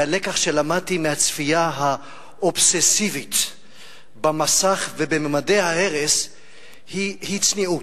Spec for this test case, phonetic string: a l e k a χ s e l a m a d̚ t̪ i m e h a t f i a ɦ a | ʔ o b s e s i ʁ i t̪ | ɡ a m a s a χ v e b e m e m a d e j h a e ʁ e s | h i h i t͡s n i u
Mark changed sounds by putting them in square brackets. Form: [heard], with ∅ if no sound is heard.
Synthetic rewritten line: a l e k a χ [ʃ] e l a m a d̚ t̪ i m e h a [t͡s] f i a ɦ a | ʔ o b s e s i [v] i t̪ | [b] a m a s a χ v e b e m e m a d e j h a e ʁ e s | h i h i t͡s n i u